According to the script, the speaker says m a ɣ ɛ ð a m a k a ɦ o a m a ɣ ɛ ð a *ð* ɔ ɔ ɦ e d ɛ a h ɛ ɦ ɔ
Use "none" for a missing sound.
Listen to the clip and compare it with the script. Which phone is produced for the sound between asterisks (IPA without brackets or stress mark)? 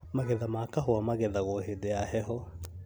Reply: ɣ